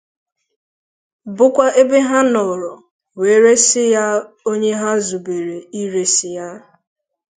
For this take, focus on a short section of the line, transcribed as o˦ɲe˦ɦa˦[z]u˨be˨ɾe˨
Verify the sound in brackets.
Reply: correct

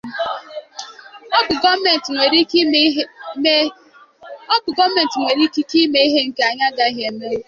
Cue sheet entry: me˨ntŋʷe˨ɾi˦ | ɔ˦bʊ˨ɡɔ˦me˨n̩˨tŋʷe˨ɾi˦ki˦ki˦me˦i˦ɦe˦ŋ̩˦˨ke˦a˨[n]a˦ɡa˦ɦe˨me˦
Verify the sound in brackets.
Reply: incorrect: ɲ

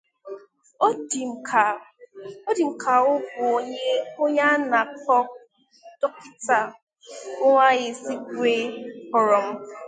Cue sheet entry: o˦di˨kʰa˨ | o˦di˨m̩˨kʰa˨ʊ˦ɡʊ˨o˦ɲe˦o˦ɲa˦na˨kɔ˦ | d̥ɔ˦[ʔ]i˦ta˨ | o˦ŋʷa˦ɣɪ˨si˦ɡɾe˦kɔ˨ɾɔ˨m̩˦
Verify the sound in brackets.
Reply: incorrect: k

